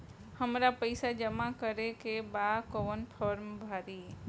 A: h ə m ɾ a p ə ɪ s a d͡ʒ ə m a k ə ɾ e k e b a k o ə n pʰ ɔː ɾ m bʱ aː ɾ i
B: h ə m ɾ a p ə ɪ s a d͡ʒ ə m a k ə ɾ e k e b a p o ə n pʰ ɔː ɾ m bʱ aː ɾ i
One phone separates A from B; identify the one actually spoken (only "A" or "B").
A